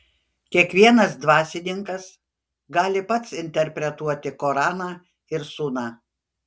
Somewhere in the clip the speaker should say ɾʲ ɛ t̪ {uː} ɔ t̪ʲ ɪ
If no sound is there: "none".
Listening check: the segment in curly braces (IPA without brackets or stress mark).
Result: u